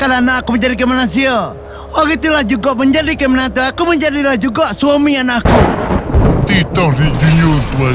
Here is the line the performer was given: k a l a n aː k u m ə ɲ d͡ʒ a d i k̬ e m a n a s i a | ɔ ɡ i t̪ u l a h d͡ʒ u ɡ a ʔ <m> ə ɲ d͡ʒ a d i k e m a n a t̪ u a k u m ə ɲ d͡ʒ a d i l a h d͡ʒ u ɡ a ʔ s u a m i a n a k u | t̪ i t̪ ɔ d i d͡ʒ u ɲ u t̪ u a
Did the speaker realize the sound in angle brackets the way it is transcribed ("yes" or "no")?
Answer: yes